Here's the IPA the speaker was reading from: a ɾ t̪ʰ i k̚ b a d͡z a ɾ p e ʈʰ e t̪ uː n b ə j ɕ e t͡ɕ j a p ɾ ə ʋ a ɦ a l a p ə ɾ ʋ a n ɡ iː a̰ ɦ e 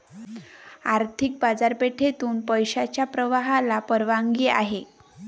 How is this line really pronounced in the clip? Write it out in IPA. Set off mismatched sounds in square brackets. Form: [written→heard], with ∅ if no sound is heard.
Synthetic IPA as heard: a ɾ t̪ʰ i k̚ b a d͡z a ɾ p e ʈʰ e t̪ uː n [b→p] ə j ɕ [e→a] t͡ɕ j a p ɾ ə ʋ a ɦ a l a p ə ɾ ʋ a [n→ŋ] ɡ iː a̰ ɦ e